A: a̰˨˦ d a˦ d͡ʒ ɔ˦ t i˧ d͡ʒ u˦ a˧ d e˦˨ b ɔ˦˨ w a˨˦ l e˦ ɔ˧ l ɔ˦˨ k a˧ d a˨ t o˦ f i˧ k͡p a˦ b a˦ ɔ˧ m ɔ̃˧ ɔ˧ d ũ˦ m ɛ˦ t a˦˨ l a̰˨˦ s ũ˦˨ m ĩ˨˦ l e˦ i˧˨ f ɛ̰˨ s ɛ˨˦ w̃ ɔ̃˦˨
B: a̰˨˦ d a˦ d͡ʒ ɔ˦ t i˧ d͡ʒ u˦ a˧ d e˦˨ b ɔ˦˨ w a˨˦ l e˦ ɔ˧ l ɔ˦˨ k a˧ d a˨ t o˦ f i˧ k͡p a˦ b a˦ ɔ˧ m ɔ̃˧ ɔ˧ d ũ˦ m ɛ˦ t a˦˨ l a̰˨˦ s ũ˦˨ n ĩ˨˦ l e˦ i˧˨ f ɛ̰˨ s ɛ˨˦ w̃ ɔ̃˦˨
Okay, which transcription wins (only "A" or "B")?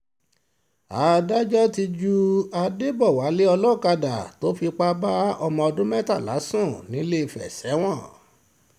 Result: B